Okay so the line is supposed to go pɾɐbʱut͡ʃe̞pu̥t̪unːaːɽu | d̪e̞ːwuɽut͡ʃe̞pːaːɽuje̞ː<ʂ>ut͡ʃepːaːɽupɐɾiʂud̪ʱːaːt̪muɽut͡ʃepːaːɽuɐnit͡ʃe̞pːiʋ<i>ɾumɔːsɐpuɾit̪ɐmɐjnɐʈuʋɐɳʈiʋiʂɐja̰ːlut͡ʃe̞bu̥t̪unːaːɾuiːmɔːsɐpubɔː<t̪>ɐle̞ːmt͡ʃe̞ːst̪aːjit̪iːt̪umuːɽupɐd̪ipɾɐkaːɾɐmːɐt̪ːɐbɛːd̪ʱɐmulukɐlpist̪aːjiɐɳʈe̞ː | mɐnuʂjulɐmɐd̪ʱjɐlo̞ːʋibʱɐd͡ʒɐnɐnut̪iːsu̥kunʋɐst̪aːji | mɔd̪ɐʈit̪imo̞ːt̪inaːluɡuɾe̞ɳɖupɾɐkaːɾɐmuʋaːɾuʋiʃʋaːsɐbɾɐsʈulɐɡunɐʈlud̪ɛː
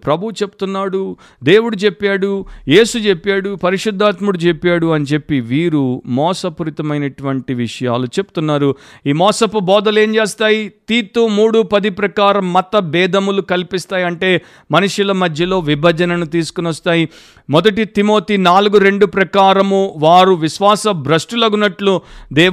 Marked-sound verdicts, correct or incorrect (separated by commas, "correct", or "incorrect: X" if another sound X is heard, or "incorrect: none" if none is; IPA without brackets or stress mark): incorrect: s, incorrect: iː, incorrect: d̪